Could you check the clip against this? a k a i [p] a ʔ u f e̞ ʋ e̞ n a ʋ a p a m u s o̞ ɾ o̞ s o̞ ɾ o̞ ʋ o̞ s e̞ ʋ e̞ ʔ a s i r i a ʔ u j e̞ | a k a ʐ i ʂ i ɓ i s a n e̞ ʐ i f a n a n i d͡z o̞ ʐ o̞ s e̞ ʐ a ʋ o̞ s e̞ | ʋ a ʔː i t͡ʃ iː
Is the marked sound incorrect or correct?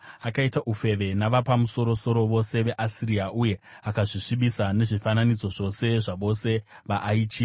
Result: incorrect